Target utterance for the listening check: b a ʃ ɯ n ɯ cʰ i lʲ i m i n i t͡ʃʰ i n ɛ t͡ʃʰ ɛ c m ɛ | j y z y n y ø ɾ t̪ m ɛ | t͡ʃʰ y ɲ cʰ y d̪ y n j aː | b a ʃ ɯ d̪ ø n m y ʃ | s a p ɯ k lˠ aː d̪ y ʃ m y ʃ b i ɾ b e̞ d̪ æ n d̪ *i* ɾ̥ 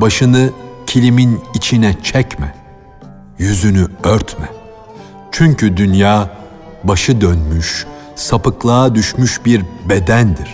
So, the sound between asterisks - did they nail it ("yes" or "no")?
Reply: yes